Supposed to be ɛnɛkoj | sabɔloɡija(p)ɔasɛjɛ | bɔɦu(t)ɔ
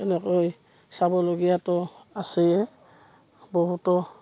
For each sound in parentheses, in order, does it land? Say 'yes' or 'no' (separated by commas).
no, yes